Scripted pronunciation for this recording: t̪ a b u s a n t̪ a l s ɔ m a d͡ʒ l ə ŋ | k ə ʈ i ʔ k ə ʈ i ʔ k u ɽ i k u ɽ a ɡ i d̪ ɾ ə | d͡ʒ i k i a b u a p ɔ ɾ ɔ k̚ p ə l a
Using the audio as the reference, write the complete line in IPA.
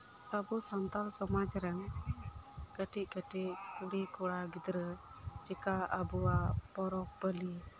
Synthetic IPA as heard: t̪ a b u s a n t̪ a l s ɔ m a d͡ʒ ɾ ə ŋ | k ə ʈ i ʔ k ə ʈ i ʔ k u ɽ i k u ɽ a ɡ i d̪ ɾ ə | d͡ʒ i k a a b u a p ɔ ɾ ɔ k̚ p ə l i